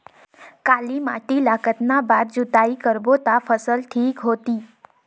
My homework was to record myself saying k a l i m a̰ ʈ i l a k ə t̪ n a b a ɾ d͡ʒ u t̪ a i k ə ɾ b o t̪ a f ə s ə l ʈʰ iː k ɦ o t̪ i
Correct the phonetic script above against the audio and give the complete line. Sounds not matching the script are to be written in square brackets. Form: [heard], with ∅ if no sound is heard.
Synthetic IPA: k a l i m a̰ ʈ i l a k ə t̪ n a b a ɾ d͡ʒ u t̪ a i k ə ɾ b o t̪ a f ə s ə l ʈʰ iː k ɦ o t̪ i